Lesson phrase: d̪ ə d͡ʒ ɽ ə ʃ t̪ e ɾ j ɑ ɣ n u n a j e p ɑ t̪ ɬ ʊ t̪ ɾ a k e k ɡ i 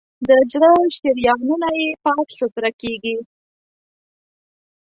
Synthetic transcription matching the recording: d̪ ə d͡ʒ ɽ ə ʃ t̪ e ɾ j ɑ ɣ n u n a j e p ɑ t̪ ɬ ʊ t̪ ɾ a k e ɡ i